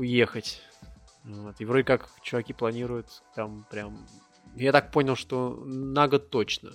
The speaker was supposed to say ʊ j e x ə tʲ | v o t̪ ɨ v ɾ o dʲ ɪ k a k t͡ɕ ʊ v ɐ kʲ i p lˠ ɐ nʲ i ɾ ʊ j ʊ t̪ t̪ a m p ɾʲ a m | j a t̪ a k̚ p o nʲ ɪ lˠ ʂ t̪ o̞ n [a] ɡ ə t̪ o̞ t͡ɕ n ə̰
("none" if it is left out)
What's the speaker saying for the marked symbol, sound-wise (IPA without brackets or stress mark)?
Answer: a